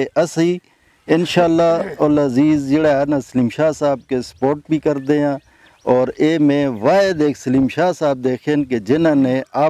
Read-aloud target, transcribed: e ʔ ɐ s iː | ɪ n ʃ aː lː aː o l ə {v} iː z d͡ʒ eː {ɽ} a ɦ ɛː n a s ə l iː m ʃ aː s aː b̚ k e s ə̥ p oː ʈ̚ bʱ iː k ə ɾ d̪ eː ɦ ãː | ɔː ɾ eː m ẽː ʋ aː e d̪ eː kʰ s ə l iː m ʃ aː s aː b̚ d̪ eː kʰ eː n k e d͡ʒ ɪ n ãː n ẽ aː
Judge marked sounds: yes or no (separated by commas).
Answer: no, yes